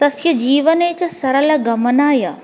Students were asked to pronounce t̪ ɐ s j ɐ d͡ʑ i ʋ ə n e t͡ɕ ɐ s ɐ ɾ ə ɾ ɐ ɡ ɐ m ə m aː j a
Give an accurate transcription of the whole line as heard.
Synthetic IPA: t̪ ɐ s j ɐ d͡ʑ iː ʋ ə n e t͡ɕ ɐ s ɐ ɾ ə l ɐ ɡ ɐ m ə n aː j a